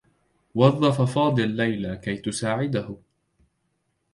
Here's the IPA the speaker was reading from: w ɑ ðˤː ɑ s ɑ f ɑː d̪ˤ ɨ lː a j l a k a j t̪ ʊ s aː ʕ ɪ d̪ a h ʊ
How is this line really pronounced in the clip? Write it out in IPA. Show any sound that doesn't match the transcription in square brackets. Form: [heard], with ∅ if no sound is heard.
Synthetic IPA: w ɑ ðˤː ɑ [f] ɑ f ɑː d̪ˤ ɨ lː a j l a k a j t̪ ʊ s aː ʕ ɪ d̪ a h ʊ